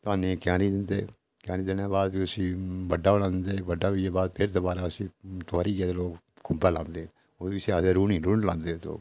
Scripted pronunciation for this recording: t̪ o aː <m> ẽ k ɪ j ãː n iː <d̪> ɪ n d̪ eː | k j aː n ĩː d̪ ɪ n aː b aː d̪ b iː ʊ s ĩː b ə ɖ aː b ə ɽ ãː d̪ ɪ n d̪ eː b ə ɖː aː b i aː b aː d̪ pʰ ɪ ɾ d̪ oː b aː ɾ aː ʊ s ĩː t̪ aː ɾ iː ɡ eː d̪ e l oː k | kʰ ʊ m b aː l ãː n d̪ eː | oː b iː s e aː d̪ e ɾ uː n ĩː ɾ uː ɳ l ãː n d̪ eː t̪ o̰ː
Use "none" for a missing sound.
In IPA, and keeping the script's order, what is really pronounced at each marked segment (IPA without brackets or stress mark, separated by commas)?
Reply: n, d̪